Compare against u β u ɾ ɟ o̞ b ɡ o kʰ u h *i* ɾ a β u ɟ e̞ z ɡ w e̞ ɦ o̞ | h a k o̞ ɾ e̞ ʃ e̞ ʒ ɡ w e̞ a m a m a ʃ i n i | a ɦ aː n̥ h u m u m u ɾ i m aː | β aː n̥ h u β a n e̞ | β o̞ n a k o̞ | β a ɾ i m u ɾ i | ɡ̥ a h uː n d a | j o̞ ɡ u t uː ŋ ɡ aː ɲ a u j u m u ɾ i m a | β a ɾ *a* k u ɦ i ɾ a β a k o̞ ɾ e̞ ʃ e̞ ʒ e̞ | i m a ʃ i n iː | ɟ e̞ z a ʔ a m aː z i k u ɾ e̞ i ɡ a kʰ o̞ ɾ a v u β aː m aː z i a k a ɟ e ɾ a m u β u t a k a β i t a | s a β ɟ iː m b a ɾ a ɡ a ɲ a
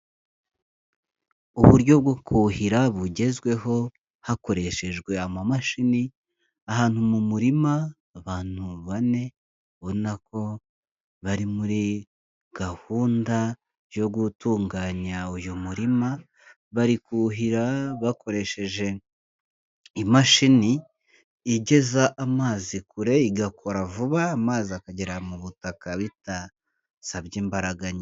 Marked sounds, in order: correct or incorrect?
correct, incorrect

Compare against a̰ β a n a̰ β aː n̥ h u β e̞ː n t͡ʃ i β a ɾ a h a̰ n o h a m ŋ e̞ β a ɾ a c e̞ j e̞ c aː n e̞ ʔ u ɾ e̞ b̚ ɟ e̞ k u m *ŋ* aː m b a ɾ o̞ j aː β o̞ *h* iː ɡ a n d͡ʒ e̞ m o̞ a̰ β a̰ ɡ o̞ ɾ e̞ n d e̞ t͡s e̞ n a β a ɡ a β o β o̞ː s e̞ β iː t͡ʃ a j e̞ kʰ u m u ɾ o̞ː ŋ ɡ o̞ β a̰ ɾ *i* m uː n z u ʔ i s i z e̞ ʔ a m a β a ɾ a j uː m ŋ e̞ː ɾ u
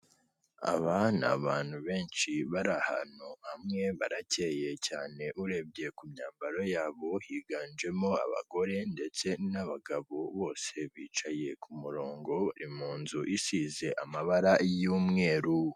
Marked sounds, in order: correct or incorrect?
incorrect, correct, correct

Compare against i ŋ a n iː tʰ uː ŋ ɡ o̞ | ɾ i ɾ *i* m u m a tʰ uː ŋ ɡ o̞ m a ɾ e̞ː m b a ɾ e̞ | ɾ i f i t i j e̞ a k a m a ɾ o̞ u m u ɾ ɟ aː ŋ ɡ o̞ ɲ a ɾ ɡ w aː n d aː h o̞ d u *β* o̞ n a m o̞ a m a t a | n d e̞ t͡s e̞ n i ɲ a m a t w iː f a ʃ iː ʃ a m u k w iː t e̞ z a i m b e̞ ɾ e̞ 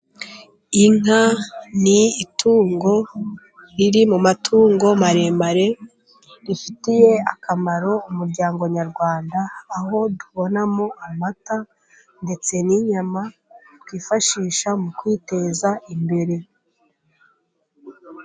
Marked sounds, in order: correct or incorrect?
correct, correct

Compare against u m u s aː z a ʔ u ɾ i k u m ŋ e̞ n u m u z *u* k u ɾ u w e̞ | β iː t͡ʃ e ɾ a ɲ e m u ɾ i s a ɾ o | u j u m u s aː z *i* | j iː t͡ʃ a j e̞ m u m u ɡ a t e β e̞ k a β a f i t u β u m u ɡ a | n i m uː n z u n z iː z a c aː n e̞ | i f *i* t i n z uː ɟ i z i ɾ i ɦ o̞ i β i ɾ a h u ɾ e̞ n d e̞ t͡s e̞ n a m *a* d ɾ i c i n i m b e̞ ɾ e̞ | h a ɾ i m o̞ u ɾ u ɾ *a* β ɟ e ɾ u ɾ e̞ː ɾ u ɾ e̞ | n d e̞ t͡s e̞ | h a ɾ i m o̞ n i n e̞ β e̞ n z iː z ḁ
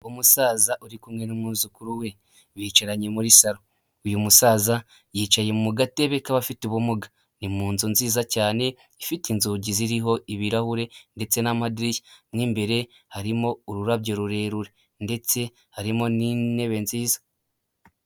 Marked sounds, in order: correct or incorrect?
correct, incorrect, correct, correct, correct

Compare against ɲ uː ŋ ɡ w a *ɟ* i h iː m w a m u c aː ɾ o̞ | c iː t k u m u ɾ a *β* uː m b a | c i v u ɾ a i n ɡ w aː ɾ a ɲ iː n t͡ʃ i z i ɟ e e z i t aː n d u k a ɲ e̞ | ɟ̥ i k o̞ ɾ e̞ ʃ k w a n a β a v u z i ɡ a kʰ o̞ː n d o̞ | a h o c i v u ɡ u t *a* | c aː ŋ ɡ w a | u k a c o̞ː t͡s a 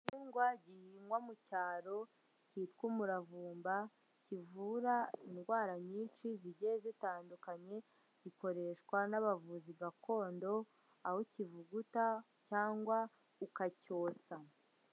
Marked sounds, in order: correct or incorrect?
correct, incorrect, correct

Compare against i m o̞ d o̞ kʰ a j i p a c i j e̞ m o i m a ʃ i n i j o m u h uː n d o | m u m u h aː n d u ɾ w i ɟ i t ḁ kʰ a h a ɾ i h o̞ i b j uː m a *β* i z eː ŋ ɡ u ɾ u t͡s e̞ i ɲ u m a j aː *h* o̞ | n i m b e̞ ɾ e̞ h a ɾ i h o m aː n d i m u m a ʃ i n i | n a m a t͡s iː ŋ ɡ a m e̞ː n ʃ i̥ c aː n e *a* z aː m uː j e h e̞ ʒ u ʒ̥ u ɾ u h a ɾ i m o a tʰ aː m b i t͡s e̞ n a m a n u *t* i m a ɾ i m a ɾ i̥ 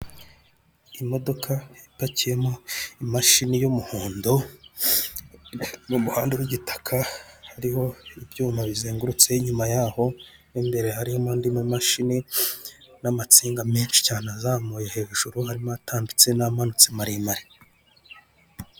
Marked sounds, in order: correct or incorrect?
correct, correct, correct, incorrect

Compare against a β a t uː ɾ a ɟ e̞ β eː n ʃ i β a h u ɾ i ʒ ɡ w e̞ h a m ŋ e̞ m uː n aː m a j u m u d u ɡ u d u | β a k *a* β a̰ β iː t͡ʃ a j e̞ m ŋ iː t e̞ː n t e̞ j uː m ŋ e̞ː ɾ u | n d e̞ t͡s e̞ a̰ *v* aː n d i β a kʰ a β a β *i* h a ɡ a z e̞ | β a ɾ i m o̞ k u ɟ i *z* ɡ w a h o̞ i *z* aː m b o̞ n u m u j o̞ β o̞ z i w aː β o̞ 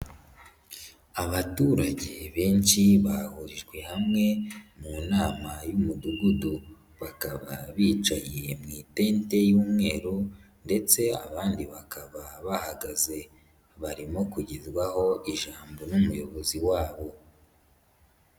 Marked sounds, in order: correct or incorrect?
correct, incorrect, incorrect, correct, incorrect

